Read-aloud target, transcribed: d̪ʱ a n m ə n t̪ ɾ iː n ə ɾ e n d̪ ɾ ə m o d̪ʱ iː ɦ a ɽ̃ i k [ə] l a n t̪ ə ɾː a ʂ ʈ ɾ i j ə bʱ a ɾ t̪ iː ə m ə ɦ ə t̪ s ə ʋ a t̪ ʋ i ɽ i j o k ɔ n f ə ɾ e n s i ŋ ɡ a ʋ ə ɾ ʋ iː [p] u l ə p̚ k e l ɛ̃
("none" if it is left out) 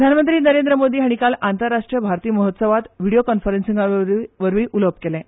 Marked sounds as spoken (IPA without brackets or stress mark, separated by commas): a, ʔ